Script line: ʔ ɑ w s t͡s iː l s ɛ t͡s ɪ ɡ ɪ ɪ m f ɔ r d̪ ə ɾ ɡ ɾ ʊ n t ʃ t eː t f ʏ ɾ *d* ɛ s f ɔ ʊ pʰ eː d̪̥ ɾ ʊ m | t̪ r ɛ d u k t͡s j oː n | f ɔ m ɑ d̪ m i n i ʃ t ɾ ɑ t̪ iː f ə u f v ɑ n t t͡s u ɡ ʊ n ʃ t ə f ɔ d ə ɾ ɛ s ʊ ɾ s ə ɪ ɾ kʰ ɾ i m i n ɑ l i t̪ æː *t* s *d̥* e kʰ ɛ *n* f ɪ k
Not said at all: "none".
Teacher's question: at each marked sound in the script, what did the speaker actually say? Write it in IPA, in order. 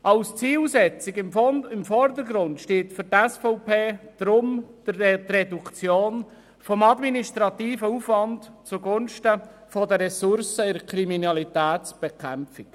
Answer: t, t, b̥, m

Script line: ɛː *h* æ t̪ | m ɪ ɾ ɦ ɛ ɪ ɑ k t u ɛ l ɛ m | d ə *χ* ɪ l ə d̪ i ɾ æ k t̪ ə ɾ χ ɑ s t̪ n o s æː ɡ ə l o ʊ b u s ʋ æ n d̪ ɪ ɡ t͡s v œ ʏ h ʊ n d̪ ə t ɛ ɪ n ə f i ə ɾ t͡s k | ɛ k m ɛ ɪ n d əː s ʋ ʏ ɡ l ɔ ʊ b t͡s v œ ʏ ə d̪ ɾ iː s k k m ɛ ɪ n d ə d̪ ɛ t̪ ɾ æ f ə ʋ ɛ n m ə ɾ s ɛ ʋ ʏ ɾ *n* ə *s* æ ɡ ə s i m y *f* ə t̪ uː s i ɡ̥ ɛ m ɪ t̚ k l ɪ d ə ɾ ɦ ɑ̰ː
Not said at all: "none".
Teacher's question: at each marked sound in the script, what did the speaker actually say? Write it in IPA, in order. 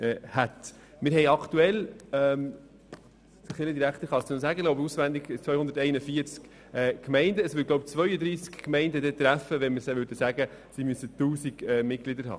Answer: h, χ, d, s, s

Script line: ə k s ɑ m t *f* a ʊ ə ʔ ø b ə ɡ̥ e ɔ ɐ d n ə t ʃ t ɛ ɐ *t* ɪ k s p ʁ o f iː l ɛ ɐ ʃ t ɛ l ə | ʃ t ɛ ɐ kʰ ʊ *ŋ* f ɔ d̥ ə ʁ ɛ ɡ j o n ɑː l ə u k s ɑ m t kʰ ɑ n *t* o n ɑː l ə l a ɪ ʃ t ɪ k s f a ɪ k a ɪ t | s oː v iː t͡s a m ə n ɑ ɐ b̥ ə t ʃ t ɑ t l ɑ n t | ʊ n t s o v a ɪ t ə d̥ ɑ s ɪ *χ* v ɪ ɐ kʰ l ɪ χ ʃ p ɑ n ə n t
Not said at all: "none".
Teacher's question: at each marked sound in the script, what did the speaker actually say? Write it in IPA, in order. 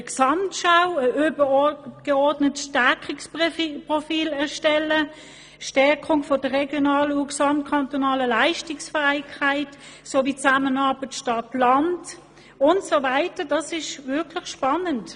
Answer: ʃ, k, ŋ, t, ʃ

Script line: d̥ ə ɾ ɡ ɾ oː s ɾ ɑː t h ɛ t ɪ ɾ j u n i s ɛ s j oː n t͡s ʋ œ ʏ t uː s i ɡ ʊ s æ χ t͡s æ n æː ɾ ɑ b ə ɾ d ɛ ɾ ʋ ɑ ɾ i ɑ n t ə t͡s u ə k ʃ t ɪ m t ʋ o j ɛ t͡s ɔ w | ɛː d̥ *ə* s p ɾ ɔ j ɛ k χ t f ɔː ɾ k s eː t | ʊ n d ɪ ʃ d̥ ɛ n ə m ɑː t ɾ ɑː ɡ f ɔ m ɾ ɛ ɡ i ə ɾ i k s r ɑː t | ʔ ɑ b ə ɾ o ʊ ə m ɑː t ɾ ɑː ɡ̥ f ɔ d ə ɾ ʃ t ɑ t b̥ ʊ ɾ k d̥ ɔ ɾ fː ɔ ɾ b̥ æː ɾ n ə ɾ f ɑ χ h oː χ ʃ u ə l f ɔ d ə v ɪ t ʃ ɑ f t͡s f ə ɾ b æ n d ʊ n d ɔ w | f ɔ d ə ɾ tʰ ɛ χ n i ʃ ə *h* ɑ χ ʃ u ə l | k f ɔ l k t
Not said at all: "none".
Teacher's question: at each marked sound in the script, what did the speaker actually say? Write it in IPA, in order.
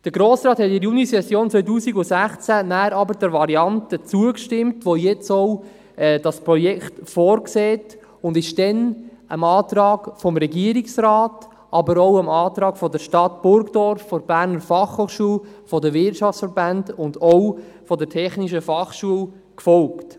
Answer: ɑ, f

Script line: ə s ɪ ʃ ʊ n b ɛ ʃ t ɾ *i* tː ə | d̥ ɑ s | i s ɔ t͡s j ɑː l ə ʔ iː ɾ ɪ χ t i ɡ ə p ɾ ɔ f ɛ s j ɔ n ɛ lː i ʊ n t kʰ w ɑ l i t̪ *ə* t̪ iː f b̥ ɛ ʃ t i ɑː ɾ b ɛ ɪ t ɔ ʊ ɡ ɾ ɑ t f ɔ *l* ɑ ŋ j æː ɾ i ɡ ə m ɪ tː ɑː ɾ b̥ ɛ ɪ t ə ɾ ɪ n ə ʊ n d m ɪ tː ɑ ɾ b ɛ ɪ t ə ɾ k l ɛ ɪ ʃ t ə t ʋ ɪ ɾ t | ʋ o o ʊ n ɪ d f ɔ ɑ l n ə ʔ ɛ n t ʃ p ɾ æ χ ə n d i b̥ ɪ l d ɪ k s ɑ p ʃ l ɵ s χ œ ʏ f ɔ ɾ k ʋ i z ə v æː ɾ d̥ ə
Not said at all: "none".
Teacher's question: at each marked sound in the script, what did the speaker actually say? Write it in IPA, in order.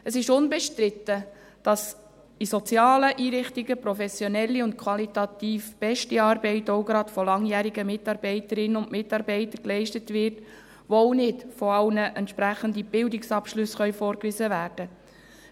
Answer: ɪ, ɑ, l

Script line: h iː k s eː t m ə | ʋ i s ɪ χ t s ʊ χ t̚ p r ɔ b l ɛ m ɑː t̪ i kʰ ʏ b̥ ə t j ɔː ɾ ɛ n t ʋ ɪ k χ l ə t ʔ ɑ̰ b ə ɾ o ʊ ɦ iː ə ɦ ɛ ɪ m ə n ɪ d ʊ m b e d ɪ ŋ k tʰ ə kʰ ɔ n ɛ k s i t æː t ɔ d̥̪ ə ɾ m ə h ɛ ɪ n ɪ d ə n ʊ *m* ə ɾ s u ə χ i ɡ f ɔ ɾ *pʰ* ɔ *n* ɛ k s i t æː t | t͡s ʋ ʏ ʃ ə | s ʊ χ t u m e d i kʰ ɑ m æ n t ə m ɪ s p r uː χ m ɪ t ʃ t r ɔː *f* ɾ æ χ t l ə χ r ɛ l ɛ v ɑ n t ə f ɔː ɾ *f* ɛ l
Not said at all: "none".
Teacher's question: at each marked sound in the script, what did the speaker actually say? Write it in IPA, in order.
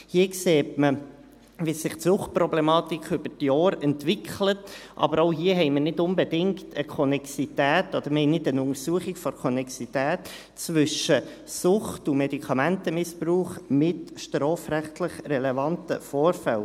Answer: ŋ, kʰ, n, f, f

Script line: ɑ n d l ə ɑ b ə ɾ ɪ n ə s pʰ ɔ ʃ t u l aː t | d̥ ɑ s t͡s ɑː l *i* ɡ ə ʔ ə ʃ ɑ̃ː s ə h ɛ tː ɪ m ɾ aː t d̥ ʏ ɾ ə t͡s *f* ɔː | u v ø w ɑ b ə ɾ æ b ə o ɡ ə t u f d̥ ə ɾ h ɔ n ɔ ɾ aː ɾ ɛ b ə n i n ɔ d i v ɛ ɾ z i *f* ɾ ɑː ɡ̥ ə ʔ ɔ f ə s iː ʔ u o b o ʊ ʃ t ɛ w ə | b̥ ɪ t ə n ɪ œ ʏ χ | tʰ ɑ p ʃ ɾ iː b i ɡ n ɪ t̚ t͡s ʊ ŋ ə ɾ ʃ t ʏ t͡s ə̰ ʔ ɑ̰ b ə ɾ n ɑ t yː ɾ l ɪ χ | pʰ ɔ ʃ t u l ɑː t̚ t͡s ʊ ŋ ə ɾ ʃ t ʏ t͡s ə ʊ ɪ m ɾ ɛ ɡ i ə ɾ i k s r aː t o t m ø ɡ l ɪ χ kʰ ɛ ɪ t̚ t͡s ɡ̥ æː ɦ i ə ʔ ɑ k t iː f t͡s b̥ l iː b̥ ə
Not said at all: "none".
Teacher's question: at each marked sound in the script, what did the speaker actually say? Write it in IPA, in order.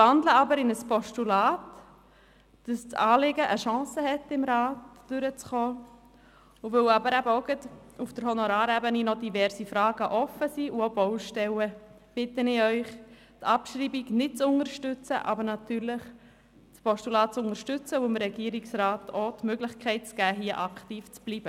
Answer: ɪ, χ, f

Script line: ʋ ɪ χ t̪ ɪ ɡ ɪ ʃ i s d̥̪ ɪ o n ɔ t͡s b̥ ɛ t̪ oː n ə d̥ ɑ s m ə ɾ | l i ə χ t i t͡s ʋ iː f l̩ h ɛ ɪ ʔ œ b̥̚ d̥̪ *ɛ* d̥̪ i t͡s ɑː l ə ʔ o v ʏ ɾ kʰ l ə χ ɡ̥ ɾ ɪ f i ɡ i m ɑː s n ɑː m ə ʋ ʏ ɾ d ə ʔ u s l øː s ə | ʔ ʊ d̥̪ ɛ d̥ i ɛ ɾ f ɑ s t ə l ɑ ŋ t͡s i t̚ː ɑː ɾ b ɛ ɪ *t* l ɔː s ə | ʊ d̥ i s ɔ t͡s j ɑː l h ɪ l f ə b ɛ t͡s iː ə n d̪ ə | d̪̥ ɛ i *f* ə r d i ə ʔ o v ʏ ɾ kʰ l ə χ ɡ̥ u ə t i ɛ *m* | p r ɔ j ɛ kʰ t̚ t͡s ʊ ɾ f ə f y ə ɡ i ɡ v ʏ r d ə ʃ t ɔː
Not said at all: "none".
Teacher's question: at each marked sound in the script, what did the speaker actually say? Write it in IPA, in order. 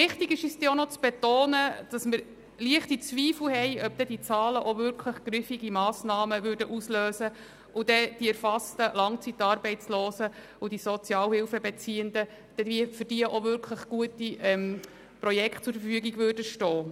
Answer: ɛ, t͡s, f, m

